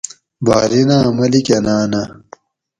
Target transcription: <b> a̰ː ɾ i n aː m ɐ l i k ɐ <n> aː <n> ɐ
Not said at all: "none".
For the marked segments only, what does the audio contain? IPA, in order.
b, n, n

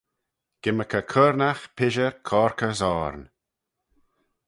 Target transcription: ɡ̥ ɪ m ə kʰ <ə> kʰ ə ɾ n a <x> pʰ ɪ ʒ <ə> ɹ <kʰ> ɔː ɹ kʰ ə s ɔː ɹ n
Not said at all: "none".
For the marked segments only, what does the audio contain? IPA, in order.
ə, x, ə, kʰ

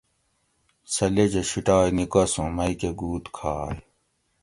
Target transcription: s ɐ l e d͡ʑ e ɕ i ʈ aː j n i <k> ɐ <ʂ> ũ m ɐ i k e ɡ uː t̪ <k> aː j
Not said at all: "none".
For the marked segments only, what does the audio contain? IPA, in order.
k, s, kʰ

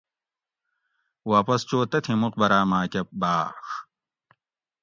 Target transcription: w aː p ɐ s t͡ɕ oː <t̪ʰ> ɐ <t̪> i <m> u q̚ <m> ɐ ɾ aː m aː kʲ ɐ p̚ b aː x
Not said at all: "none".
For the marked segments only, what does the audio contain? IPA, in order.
t̪, t̪ʰ, m, b

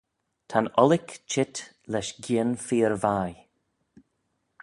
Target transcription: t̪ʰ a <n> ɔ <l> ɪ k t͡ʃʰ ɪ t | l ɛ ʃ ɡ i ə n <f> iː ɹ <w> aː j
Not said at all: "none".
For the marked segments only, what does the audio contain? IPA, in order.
n, l, f, v

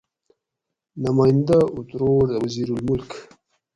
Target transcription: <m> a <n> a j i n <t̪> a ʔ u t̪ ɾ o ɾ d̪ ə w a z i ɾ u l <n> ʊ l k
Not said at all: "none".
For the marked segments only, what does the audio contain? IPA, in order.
n, m, d̪, m

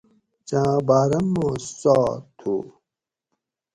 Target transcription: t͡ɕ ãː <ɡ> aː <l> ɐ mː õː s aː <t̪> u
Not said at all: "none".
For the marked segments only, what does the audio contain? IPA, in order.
b, ɾ, t̪ʰ

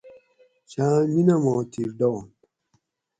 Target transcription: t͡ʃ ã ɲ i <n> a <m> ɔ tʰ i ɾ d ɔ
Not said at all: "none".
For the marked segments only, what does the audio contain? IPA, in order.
n, m

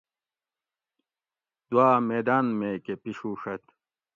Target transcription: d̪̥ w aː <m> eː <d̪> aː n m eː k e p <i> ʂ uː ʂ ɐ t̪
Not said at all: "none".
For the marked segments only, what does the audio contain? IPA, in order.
m, d̪, i

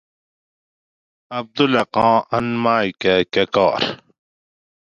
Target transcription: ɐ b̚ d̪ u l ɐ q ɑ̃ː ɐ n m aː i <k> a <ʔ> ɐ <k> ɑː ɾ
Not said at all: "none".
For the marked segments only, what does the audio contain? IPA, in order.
k, k, k

